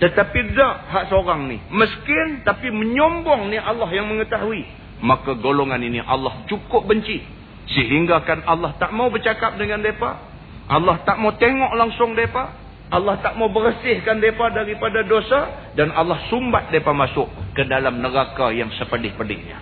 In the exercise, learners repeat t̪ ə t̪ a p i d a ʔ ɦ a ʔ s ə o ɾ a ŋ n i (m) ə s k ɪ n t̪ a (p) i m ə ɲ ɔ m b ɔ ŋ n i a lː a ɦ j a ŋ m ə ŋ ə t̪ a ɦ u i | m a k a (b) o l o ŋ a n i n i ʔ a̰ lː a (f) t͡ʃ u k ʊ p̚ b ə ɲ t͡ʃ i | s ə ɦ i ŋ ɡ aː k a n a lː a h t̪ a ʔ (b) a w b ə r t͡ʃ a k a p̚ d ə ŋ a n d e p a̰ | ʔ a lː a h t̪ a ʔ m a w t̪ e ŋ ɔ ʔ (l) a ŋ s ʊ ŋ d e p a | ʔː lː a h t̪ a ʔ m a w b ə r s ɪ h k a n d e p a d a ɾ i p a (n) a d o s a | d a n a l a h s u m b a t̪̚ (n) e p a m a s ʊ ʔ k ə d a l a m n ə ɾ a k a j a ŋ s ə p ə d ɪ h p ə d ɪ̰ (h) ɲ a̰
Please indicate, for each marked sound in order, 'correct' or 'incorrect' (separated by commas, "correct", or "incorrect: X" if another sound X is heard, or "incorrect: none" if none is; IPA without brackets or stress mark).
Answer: correct, correct, incorrect: ɡ, incorrect: h, incorrect: m, correct, incorrect: d, incorrect: d, correct